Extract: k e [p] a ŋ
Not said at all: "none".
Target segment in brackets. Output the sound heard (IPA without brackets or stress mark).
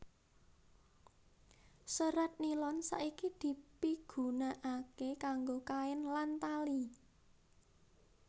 k